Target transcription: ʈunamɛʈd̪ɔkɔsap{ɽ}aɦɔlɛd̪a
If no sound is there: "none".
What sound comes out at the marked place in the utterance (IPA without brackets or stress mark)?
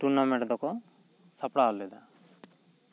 ɽ